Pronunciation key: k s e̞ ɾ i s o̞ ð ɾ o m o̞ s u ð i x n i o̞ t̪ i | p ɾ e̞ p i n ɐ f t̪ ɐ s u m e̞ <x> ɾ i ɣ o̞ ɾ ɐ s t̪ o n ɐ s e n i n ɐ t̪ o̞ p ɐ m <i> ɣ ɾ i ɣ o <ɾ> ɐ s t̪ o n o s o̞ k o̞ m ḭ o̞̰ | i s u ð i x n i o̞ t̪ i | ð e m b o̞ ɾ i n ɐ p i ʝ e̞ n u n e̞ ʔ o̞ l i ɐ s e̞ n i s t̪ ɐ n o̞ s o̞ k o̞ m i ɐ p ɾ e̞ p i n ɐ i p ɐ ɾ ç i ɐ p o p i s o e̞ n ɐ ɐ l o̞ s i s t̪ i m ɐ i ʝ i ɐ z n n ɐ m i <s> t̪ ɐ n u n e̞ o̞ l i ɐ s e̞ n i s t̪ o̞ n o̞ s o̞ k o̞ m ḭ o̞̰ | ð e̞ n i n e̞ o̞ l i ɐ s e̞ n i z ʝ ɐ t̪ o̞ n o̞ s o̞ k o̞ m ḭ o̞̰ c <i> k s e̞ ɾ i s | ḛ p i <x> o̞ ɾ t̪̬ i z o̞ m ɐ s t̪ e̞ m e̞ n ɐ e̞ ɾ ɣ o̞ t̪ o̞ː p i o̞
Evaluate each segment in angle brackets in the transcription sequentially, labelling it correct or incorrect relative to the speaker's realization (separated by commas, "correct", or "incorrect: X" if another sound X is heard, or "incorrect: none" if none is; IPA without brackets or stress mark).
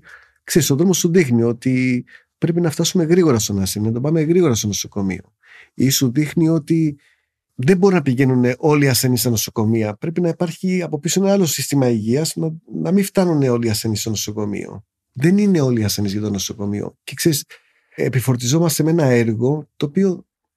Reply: incorrect: ɣ, incorrect: e, correct, incorrect: f, incorrect: e, incorrect: f